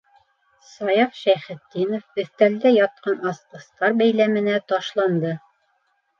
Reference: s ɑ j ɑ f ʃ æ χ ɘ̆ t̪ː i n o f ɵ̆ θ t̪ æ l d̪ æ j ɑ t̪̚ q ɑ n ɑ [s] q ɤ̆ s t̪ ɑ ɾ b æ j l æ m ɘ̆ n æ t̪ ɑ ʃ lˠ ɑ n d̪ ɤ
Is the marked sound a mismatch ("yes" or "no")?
no